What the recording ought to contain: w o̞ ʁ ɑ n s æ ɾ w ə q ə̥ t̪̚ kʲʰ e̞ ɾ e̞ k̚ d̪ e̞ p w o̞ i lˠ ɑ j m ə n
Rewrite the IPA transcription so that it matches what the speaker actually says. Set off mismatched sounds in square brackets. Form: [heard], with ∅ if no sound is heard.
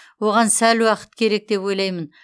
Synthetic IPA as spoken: w o̞ ʁ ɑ n s æ [l] w [ɑ] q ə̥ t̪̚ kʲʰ e̞ ɾ e̞ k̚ d̪ e̞ p w o̞ [j] lˠ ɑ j m ə n

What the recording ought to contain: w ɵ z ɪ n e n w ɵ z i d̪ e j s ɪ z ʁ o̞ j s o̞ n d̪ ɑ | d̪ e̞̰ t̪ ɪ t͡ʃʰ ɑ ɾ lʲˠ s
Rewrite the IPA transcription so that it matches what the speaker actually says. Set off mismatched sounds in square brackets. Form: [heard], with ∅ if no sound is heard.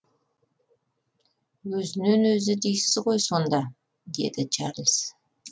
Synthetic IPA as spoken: w ɵ z ɪ n e n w ɵ z [ɪ] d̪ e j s ɪ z ʁ o̞ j s o̞ n d̪ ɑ | d̪ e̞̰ [d̪] ɪ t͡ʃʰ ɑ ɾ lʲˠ s

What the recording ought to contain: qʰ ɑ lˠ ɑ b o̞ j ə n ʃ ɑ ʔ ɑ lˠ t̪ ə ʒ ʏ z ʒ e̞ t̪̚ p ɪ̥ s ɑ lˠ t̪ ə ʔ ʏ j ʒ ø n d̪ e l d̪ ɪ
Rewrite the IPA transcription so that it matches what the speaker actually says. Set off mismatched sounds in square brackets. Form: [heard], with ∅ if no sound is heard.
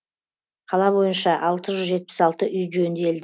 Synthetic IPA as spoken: qʰ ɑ lˠ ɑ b o̞ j ə n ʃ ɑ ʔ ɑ lˠ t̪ ə ʒ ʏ z ʒ e̞ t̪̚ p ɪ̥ s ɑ lˠ t̪ ə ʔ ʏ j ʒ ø n d̪ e l d̪ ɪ

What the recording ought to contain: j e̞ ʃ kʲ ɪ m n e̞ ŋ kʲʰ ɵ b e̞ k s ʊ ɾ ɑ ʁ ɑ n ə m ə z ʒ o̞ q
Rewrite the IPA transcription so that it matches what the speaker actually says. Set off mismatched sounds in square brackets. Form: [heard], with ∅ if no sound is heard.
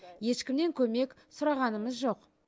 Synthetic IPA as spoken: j e̞ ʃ kʲ ɪ m n e̞ ŋ kʲʰ ɵ [m] e̞ k s ʊ ɾ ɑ ʁ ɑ n ə m ə z ʒ o̞ q

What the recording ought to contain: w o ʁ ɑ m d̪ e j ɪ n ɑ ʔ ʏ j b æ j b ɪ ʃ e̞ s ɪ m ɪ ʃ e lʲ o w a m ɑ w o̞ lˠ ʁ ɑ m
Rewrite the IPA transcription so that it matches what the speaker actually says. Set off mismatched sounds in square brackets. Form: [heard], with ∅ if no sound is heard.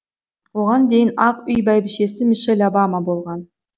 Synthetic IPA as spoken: w o ʁ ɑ [n] d̪ e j ɪ n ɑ [q] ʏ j b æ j b ɪ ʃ e̞ s ɪ m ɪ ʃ e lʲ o [b] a m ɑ [b] o̞ lˠ ʁ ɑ [n]

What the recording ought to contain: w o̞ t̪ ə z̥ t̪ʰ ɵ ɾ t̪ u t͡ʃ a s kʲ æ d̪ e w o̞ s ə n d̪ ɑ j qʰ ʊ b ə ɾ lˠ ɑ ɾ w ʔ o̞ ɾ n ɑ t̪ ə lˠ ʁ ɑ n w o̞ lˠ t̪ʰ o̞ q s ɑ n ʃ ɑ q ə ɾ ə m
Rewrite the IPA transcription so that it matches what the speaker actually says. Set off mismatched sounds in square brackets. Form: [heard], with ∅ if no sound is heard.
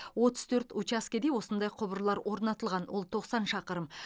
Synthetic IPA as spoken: w o̞ t̪ ə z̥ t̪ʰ ɵ ɾ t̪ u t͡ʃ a s kʲ [e] d̪ e w o̞ s ə n d̪ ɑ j qʰ ʊ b ə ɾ lˠ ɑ ɾ w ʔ o̞ ɾ n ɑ t̪ ə lˠ ʁ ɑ n w o̞ lˠ t̪ʰ o̞ q s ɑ n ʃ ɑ q ə ɾ ə m

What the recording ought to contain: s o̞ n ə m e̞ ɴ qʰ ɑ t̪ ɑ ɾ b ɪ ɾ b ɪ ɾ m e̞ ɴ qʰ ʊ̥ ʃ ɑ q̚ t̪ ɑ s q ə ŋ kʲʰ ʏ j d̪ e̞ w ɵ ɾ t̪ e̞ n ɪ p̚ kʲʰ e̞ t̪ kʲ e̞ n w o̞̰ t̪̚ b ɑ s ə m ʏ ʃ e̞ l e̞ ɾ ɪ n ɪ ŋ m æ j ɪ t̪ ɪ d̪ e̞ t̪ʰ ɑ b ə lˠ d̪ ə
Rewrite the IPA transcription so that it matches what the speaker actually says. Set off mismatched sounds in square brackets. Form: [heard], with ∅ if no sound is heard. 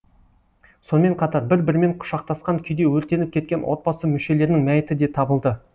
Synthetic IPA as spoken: s o̞ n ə m e̞ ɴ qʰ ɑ t̪ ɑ ɾ b ɪ ɾ b ɪ ɾ m e̞ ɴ qʰ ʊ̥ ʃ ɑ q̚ t̪ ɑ s q [ɑ] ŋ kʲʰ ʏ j d̪ e̞ w ɵ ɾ t̪ e̞ n ɪ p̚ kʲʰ e̞ t̪ kʲ e̞ n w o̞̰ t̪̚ b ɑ s ə m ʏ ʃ e̞ l e̞ ɾ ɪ n ɪ ŋ m æ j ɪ t̪ ɪ d̪ e̞ t̪ʰ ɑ b ə lˠ d̪ ə

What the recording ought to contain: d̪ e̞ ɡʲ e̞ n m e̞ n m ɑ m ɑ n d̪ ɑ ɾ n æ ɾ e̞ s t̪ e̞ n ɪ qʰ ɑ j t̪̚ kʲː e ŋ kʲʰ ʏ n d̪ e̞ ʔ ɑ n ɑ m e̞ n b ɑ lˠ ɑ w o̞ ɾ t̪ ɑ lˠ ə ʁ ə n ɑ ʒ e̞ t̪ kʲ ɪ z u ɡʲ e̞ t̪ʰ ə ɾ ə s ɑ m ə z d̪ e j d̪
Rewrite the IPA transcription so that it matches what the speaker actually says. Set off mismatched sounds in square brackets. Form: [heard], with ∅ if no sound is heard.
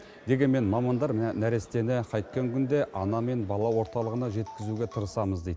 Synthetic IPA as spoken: d̪ e̞ ɡʲ e̞ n m e̞ n m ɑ m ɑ n d̪ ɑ ɾ n æ ɾ e̞ s t̪ e̞ n ɪ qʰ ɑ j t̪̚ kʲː e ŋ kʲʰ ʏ n d̪ e̞ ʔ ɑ n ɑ m e̞ n b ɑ lˠ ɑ w o̞ ɾ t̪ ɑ lˠ ə ʁ ə n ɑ ʒ e̞ t̪ kʲ ɪ z u ɡʲ e̞ t̪ʰ ə ɾ ə s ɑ m ə z d̪ e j d̪

